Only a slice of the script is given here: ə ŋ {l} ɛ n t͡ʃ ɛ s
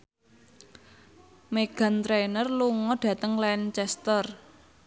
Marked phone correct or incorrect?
correct